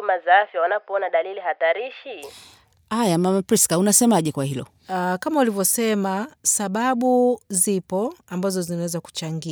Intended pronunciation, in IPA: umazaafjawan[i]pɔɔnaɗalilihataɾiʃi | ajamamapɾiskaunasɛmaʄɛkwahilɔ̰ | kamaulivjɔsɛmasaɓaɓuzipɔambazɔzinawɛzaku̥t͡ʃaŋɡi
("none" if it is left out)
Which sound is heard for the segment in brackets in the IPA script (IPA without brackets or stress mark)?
a